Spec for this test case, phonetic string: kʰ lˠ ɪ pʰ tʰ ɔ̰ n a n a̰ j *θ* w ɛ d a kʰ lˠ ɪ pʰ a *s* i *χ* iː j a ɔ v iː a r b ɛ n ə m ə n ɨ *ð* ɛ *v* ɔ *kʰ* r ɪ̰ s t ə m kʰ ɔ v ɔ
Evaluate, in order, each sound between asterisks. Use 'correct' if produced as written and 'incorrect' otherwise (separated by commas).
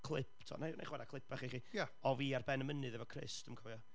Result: incorrect, incorrect, correct, correct, correct, correct